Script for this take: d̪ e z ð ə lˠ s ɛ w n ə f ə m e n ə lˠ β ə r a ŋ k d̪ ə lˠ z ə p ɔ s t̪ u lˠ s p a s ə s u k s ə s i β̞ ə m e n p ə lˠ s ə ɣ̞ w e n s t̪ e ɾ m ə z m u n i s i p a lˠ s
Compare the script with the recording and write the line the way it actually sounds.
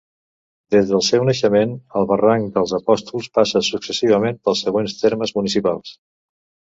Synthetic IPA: d̪ e z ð ə lˠ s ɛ w n ə ʃ ə m e n ə lˠ β ə r a ŋ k d̪ ə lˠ z ə p ɔ s t̪ u lˠ s p a s ə s u k s ə s i β̞ ə m e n p ə lˠ s ə ɣ̞ w e n s t̪ e ɾ m ə z m u n i s i p a lˠ s